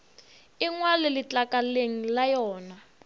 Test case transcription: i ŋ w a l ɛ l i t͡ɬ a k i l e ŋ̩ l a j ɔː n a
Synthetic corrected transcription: i ŋ w a l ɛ l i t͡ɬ a k a l e ŋ̩ l a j ɔː n a

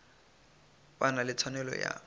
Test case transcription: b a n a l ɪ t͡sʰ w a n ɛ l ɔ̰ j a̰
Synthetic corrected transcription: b a n a l ɪ t͡sʰ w a n ɛ l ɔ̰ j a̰

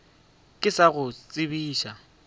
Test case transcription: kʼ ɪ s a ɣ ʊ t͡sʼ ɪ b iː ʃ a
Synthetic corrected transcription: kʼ ɪ s a ɣ ʊ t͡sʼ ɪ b iː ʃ a

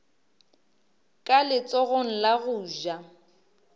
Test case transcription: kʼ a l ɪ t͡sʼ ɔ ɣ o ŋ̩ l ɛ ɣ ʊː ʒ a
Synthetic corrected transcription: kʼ a l ɪ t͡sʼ ɔ ɣ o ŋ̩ l a ɣ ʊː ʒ a

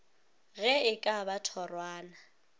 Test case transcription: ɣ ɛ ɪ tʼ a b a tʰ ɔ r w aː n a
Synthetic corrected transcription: ɣ ɛ ɪ kʼ a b a tʰ ɔ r w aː n a

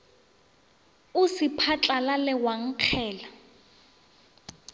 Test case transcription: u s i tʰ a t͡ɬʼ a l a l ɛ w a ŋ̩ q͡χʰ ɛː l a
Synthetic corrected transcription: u s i pʰ a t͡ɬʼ a l a l ɛ w a ŋ̩ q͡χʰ ɛː l a

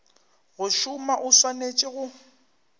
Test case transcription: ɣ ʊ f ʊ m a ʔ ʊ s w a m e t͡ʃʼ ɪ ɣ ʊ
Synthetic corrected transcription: ɣ ʊ ʃ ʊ m a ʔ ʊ s w a n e t͡ʃʼ ɪ ɣ ʊ

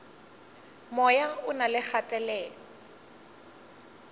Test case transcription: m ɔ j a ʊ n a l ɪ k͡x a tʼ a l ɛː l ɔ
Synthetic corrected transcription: m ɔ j a ʊ n a l ɪ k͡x a tʼ ɛ l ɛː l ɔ

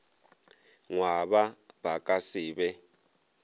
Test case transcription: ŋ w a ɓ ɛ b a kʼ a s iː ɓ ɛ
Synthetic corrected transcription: ŋ w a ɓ a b a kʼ a s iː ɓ ɛ

